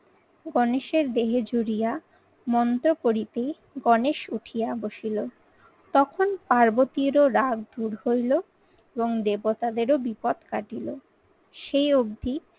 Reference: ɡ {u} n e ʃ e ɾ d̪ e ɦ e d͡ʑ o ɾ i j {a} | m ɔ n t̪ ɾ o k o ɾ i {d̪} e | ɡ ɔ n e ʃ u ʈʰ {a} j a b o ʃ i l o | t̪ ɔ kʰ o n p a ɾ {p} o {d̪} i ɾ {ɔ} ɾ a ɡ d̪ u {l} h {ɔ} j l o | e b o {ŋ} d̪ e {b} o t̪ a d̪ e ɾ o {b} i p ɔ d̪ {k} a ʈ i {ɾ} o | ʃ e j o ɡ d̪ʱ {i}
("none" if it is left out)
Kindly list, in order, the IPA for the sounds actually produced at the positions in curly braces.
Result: ɔ, a, t̪, i, b, t̪, o, ɾ, o, ŋ, b, b, k, l, i

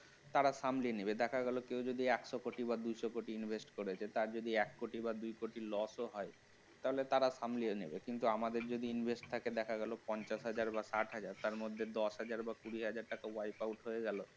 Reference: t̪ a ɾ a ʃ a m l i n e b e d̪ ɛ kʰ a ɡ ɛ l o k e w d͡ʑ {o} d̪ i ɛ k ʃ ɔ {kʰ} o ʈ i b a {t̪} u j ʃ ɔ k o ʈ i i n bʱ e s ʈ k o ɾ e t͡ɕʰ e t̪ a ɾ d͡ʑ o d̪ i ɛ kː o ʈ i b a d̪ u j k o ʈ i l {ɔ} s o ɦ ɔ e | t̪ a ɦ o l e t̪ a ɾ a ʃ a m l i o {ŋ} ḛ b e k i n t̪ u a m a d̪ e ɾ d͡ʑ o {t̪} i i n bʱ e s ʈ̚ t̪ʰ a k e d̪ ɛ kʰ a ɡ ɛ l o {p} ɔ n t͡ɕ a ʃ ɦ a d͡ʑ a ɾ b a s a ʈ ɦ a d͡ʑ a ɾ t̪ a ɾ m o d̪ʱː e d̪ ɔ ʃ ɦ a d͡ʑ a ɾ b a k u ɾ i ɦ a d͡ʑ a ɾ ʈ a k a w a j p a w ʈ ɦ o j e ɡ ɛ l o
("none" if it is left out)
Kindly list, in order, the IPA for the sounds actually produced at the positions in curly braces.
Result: o, k, d̪, ɔ, n, d̪, p

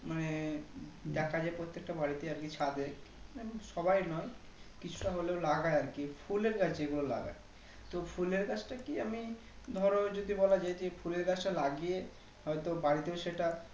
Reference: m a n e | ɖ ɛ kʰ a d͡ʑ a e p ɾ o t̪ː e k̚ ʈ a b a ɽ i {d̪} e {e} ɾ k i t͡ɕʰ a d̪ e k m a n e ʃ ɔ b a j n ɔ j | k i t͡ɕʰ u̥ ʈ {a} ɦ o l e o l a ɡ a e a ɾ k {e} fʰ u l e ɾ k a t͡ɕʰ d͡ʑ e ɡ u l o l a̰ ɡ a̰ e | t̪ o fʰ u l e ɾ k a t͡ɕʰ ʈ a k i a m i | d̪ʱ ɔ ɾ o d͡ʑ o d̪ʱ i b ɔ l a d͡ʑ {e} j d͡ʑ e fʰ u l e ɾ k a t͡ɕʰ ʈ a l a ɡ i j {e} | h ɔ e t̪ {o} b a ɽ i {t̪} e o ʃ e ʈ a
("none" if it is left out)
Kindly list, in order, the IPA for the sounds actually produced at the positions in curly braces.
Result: t̪, a, a, i, a, e, o, t̪

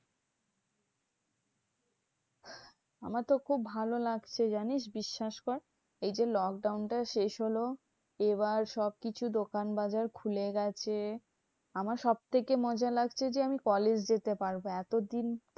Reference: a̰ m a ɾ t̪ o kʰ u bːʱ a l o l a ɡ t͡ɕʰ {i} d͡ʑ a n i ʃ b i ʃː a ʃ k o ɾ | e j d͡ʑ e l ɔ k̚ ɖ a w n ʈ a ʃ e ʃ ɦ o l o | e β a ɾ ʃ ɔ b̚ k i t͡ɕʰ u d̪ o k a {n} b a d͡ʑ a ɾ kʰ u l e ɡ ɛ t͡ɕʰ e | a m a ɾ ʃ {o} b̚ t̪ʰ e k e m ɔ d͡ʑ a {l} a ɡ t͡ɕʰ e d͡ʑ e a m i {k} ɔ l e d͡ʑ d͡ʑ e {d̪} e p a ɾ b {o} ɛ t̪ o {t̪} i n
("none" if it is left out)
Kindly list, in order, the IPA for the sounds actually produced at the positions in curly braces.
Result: e, n, ɔ, l, k, t̪, o, d̪

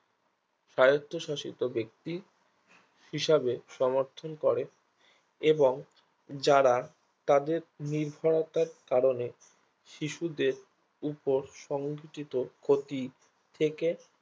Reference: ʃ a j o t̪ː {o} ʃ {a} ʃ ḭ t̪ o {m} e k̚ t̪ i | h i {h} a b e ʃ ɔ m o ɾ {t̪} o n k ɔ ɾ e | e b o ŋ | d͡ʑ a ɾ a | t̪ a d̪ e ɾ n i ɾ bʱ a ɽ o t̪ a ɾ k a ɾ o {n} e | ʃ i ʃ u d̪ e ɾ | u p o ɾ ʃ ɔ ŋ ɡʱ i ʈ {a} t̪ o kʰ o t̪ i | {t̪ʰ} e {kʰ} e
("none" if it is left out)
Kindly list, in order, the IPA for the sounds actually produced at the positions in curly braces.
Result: o, a, b, ʃ, t̪ʰ, n, i, t̪ʰ, k

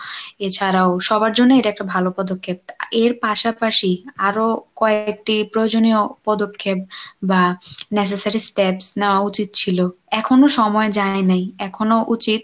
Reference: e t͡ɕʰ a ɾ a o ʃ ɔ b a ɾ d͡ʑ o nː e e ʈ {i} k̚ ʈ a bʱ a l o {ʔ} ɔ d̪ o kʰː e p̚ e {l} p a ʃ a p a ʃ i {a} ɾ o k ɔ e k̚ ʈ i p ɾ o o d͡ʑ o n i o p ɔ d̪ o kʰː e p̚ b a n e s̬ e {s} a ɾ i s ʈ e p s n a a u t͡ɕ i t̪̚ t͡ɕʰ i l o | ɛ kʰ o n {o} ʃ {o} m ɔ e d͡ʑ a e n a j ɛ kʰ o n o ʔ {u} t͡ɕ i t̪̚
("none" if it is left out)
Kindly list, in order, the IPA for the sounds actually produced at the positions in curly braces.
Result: ɛ, p, ɾ, a, s, o, ɔ, u

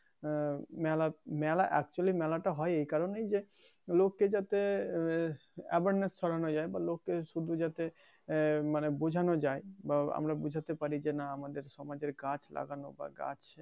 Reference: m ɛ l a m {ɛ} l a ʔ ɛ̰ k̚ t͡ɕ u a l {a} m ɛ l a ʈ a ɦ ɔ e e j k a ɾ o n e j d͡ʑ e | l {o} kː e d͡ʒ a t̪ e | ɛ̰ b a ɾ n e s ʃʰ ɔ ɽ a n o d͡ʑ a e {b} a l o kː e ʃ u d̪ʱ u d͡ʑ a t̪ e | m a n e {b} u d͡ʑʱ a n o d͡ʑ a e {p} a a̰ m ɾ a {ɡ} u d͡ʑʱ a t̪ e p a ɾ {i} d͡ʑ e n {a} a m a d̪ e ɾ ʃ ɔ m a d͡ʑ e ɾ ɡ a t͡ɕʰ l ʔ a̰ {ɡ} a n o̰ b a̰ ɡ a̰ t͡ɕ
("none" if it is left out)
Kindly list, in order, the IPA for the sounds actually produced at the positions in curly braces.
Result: ɛ, i, o, b, b, b, b, i, a, ɡ

